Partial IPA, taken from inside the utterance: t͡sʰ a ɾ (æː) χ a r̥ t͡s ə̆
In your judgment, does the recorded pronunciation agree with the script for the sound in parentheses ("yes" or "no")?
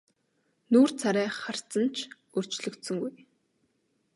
yes